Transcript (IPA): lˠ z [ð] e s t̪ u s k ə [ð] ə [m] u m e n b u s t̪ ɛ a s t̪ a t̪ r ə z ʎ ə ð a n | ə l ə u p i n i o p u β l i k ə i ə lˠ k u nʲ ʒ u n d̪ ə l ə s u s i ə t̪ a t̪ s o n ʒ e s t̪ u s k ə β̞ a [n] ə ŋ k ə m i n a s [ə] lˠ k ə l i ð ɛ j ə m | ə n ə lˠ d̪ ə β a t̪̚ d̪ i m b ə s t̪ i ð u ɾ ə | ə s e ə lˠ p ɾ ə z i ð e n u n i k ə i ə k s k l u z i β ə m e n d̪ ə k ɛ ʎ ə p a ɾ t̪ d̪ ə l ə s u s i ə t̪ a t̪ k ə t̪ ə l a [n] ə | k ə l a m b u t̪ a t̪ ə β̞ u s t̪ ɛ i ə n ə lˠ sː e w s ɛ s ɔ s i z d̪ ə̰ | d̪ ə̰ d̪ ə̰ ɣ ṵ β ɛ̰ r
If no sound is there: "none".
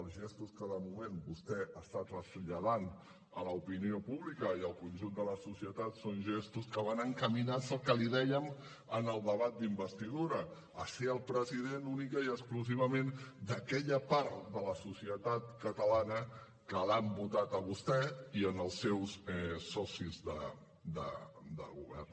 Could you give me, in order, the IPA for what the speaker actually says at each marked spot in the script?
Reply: ʒ, ð, m, n, ə, n

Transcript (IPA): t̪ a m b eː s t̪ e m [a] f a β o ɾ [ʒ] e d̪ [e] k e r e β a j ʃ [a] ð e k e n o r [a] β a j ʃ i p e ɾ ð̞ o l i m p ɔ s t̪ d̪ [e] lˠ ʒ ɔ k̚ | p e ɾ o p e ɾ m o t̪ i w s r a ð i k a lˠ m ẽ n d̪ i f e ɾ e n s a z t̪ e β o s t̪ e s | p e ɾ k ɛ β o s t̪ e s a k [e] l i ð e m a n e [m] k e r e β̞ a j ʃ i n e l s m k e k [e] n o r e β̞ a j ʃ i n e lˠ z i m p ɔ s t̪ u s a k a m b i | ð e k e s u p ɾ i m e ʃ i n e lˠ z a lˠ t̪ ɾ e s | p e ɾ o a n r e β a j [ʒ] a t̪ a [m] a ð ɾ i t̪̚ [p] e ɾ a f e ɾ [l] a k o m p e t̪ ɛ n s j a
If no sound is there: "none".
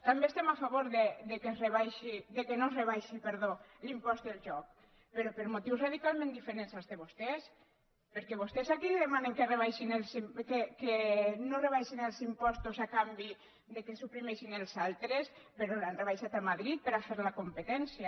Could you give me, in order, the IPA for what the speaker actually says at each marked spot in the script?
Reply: a, ð, e, i, e, e, i, ŋ, e, ʃ, m, p, l

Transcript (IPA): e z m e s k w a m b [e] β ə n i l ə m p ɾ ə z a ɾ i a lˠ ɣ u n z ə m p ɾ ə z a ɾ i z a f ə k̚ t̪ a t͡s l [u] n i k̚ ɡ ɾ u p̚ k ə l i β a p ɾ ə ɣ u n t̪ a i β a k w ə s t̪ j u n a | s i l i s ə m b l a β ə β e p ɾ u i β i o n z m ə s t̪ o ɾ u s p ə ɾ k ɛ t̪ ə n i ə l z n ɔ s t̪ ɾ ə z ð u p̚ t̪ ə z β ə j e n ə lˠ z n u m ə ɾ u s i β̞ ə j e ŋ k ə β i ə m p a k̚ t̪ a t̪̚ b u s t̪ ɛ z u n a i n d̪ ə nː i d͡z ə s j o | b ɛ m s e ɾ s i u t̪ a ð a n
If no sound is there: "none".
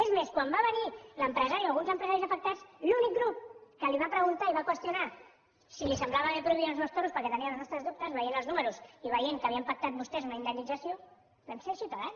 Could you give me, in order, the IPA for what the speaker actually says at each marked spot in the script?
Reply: a, u

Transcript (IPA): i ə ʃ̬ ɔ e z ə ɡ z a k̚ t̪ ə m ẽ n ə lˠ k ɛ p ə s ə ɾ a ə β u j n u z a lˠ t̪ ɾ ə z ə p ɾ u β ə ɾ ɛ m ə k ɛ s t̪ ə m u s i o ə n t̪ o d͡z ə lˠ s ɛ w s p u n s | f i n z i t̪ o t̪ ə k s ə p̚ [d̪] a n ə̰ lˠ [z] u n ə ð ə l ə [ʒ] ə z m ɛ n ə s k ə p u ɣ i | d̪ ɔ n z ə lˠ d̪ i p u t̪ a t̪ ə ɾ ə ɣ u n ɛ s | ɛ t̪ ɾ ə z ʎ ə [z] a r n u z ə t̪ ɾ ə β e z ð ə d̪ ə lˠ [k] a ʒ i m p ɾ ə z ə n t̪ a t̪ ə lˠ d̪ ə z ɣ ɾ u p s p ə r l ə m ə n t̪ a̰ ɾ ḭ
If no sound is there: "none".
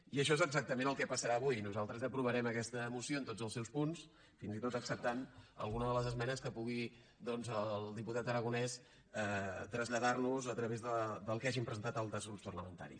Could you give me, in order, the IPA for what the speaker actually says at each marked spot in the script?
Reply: t̪, ɣ, z, ð, k

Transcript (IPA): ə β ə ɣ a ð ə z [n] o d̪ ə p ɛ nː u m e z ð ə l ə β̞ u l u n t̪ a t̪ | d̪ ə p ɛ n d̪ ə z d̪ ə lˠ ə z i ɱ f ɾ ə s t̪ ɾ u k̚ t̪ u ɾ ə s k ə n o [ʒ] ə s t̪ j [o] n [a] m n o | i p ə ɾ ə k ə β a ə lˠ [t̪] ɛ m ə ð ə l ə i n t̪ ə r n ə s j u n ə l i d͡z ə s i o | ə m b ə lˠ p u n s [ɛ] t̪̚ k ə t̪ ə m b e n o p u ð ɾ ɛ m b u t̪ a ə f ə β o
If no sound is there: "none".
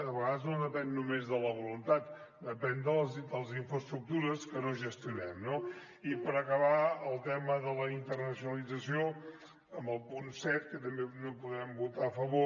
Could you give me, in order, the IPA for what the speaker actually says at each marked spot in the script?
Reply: n, ʒ, u, ɛ, t̪, ɛ

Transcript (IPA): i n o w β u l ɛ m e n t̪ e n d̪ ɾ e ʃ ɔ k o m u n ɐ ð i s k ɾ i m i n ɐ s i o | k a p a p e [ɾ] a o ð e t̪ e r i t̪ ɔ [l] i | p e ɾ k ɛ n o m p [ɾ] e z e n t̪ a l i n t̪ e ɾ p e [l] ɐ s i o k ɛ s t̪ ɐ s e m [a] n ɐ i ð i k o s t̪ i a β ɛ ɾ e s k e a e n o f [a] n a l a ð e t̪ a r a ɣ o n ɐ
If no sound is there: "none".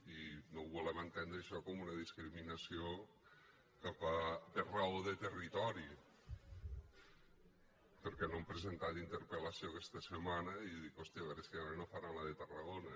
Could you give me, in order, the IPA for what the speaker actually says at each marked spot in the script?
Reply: r, ɾ, ɾ, l, a, a

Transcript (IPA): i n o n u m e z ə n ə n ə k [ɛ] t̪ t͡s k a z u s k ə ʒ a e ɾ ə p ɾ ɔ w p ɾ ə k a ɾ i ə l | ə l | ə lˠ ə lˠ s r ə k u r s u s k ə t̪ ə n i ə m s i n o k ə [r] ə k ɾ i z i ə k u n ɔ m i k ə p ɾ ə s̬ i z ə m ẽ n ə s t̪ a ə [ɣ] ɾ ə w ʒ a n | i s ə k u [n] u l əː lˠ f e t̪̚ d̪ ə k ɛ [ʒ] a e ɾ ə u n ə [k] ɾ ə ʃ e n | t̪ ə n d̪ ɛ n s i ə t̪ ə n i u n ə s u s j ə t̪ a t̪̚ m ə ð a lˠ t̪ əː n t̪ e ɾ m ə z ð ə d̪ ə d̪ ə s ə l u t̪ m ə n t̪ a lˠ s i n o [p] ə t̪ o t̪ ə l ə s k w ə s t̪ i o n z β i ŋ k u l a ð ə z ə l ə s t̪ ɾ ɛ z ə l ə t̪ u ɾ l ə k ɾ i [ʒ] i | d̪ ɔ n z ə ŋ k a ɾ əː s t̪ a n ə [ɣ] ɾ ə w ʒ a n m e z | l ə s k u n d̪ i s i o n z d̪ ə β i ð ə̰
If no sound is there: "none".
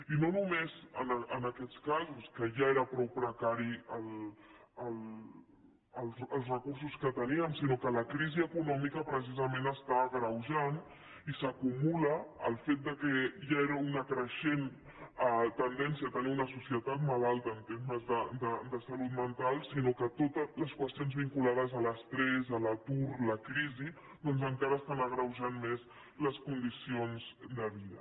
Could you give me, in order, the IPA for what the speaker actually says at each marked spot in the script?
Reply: ɛ, l, ɣ, m, ʒ, k, k, z, ɣ

